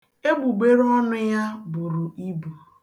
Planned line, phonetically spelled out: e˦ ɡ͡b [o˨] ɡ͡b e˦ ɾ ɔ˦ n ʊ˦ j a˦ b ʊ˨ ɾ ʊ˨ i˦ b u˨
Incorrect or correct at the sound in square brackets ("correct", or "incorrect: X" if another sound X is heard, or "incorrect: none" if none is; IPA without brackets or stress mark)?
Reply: incorrect: u˨